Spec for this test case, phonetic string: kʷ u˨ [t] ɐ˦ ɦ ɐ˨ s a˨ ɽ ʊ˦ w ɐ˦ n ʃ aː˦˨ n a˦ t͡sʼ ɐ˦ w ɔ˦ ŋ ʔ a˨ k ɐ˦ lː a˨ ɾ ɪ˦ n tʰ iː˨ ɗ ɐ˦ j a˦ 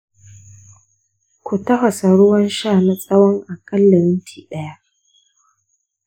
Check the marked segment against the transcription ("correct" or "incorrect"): correct